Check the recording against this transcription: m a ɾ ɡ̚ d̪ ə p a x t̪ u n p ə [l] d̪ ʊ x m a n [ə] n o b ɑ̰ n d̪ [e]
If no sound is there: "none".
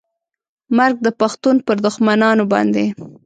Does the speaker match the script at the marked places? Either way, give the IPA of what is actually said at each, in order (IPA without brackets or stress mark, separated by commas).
ɾ, ɑ, e